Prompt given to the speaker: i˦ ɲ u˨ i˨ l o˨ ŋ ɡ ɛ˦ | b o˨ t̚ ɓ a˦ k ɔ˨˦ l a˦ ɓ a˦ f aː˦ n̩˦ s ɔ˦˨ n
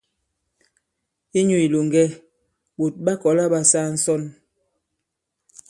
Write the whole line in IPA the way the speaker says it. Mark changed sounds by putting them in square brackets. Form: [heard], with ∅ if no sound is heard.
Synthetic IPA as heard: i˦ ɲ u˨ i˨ l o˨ ŋ ɡ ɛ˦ | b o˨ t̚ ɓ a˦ k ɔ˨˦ l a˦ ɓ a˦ [s] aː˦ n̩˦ s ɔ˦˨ n